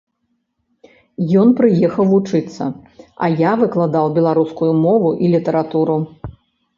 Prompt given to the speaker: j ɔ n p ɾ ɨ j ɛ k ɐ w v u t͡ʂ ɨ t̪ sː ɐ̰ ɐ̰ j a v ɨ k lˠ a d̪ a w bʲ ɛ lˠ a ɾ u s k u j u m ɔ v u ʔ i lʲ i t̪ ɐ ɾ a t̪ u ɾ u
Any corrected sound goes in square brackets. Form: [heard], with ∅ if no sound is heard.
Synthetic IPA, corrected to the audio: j ɔ n p ɾ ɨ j ɛ [x] ɐ w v u t͡ʂ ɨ t̪ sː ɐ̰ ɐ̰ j a v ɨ k lˠ a d̪ a w bʲ ɛ lˠ a ɾ u s k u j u m ɔ v u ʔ i lʲ i t̪ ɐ ɾ a t̪ u ɾ u